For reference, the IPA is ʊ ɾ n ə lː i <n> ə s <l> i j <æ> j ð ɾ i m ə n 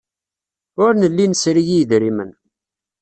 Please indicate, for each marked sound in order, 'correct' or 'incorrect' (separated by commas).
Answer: correct, incorrect, incorrect